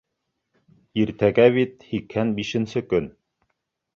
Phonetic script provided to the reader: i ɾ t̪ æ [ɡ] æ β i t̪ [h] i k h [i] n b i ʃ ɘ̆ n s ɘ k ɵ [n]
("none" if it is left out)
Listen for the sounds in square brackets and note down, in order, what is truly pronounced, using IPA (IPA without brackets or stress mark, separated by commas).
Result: ɡ, h, æ, n